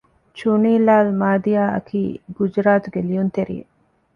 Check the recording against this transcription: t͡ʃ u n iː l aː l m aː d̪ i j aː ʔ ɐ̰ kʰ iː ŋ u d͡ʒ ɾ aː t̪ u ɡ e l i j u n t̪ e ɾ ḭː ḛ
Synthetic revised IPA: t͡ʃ u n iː l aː l m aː d̪ i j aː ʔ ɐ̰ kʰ iː ɡ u d͡ʒ ɾ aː t̪ u ɡ e l i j u n t̪ e ɾ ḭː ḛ